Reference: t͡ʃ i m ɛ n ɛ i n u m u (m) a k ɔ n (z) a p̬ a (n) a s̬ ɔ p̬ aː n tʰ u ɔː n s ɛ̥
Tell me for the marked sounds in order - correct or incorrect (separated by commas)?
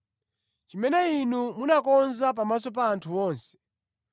incorrect, correct, incorrect